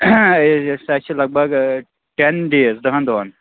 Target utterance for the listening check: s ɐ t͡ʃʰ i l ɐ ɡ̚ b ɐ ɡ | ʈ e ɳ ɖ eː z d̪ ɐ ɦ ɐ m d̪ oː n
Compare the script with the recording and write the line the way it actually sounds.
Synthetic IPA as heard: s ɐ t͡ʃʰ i l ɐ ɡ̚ b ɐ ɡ | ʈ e n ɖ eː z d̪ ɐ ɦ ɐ n d̪ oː n